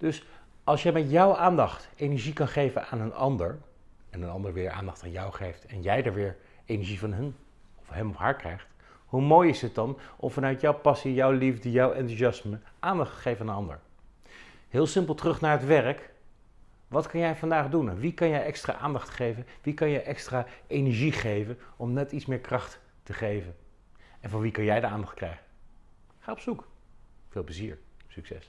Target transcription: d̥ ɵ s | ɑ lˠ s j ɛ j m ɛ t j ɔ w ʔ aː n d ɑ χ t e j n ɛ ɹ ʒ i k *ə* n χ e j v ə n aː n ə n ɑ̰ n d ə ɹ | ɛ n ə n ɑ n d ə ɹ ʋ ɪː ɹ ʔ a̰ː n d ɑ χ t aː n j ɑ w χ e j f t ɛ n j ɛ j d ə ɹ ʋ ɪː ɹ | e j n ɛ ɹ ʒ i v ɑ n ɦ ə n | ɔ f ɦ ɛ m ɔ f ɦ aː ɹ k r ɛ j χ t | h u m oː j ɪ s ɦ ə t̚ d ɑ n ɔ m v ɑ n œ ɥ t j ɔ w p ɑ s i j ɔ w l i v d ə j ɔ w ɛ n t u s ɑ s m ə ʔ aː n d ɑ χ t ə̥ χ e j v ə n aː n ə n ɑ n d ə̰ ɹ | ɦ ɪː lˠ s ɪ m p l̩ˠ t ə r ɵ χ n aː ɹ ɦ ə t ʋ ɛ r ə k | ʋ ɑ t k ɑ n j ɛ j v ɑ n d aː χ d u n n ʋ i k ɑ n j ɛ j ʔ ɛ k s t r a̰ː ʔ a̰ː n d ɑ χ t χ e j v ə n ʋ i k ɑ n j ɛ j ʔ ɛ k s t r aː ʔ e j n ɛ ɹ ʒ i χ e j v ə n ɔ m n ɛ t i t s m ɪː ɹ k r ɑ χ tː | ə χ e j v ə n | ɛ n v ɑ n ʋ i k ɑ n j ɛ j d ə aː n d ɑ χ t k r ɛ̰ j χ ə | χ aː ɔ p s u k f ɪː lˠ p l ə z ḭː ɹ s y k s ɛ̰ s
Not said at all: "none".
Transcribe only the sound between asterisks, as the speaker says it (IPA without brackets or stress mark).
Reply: ɑ